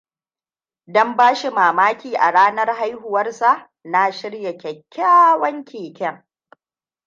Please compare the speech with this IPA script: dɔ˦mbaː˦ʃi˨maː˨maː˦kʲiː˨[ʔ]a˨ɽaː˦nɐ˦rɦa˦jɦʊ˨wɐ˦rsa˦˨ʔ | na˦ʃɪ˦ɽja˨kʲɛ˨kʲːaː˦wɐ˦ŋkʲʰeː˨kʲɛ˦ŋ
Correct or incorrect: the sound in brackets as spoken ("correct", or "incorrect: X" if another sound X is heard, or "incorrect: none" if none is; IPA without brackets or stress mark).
correct